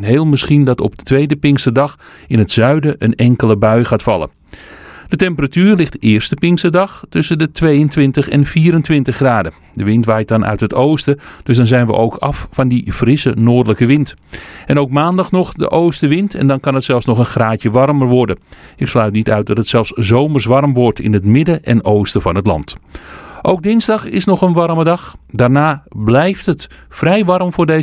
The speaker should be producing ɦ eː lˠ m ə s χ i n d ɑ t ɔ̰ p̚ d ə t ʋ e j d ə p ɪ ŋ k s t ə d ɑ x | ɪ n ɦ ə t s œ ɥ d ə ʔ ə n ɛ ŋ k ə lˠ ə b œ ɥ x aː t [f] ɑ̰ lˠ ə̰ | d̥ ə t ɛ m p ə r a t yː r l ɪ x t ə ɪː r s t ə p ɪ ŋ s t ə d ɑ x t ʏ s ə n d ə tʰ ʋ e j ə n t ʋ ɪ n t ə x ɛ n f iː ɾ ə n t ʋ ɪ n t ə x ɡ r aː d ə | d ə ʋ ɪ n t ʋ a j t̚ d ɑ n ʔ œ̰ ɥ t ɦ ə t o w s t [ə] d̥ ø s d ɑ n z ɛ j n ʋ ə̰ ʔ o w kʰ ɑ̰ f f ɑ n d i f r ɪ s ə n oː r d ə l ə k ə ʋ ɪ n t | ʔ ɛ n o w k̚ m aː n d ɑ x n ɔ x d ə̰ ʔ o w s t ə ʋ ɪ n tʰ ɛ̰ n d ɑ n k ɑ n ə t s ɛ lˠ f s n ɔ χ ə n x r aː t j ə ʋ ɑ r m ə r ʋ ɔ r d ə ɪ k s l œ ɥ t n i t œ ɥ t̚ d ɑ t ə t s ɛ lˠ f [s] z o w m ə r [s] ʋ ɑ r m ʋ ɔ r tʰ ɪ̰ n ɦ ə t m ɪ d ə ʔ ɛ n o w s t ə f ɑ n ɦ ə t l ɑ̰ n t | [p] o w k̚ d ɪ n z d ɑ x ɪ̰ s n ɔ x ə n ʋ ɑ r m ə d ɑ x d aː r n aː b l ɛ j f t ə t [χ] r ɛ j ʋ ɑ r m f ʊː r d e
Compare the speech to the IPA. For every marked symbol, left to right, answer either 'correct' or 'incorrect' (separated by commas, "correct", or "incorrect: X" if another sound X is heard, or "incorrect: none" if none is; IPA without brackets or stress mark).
correct, correct, correct, correct, incorrect: ʔ, incorrect: f